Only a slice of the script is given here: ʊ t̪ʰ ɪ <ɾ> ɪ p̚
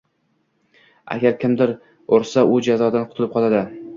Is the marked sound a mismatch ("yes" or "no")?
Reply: yes